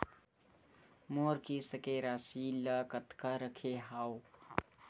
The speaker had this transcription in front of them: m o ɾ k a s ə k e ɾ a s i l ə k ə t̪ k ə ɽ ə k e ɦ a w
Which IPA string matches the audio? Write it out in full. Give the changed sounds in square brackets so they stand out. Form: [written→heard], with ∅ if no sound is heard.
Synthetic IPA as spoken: m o ɾ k [a→i] s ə k e ɾ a s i l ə k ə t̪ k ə [ɽ→ɾ] ə [k→kʰ] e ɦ a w